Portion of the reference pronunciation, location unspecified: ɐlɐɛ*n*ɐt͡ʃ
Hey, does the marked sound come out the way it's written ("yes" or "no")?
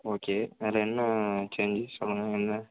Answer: no